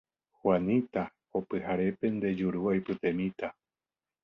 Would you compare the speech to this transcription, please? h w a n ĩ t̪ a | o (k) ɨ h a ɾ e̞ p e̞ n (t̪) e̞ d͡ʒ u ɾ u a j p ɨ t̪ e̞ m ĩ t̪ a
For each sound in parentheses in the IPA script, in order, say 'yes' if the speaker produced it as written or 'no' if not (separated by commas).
no, no